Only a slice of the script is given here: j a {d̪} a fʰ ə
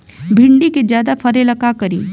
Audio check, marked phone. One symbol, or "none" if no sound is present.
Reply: d̪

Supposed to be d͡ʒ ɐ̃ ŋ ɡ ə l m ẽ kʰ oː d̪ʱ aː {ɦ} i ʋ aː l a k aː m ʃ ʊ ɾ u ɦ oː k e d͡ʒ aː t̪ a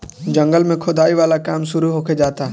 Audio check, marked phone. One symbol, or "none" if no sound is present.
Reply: none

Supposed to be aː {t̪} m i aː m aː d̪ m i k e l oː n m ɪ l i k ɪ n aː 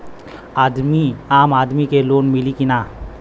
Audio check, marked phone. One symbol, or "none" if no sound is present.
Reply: d̪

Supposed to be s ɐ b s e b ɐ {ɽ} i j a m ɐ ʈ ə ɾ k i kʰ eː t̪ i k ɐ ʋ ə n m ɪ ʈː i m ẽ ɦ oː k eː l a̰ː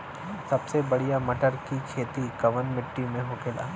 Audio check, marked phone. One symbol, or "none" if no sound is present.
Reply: ɽ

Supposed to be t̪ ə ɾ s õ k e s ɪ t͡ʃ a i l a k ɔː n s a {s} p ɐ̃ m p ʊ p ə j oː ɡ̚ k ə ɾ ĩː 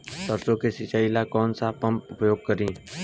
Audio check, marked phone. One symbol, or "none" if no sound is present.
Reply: none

